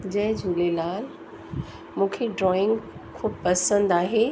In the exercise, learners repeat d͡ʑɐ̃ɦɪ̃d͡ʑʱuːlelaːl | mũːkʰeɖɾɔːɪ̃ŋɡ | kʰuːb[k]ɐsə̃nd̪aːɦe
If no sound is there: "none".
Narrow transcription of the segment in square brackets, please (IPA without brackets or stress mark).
p